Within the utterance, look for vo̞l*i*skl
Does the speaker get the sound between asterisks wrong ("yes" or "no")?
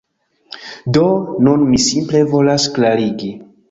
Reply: yes